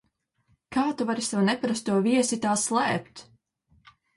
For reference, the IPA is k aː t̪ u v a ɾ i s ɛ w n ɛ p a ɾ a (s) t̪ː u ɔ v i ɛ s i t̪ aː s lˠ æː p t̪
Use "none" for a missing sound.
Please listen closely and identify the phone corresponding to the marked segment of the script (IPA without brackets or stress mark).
s